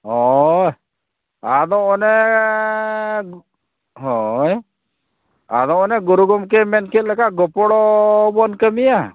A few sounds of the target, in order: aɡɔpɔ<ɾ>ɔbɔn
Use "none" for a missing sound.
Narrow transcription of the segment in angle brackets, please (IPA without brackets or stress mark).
ɽ